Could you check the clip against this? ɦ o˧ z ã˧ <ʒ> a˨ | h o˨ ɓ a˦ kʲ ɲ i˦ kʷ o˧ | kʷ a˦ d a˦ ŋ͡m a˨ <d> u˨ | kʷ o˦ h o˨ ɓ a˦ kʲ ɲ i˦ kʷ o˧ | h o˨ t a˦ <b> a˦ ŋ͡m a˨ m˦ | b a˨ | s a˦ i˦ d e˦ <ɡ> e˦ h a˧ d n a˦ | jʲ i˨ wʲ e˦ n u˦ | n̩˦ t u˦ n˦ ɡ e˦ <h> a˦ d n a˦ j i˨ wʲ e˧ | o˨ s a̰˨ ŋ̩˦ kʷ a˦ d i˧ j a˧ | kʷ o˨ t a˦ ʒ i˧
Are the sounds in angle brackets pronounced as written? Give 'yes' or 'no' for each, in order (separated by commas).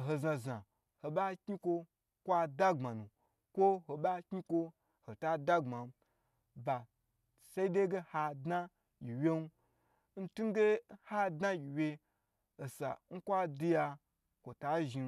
no, no, no, yes, yes